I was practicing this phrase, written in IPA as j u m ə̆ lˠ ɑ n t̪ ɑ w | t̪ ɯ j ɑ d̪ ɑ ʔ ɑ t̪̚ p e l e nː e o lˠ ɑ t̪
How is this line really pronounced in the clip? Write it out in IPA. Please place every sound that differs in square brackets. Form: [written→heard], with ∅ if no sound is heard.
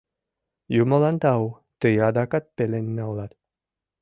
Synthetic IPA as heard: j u m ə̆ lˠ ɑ n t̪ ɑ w | t̪ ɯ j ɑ d̪ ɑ [ʔ→k] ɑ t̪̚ p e l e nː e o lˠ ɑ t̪